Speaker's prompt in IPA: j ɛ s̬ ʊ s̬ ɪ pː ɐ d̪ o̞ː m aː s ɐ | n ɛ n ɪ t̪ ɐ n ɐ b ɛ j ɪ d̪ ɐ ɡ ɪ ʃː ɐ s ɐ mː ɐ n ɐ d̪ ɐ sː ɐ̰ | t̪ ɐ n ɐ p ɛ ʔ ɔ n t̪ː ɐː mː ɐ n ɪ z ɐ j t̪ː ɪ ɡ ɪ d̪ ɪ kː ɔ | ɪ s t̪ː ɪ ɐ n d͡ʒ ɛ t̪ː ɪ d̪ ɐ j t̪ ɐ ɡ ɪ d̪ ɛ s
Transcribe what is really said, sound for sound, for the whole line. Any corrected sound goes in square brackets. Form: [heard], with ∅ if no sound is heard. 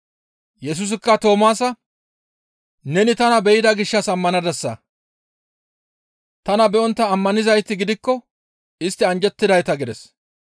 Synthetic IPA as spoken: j ɛ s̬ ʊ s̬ ɪ [kː] ɐ [t̪] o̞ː m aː s ɐ | n ɛ n ɪ t̪ ɐ n ɐ b ɛ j ɪ d̪ ɐ ɡ ɪ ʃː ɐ s ɐ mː ɐ n ɐ d̪ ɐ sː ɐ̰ | t̪ ɐ n ɐ [b] ɛ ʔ ɔ n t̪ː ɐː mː ɐ n ɪ z ɐ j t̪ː ɪ ɡ ɪ d̪ ɪ kː ɔ | ɪ s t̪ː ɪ ɐ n d͡ʒ ɛ t̪ː ɪ d̪ ɐ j t̪ ɐ ɡ ɪ d̪ ɛ s